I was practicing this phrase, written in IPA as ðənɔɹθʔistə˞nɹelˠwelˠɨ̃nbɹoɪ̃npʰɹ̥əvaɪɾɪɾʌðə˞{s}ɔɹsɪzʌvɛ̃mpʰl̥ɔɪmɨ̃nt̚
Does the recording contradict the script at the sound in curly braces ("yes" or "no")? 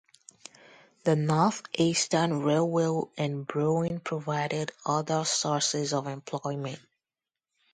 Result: no